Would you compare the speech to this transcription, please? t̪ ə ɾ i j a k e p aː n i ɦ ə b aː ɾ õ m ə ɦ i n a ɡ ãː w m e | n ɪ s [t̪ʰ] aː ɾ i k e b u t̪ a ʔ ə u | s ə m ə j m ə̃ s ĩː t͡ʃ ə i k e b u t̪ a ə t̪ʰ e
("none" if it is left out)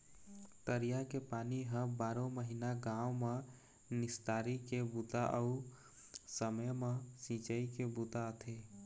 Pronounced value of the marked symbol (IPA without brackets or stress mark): t̪